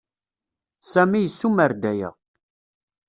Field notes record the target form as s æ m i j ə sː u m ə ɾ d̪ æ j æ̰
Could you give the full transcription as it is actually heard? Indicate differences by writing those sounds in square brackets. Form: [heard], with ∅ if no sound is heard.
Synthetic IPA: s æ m i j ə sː u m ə ɾ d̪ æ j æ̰